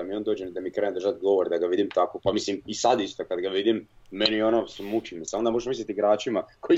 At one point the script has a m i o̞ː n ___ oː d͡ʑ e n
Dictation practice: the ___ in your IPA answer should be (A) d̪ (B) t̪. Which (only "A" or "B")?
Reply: A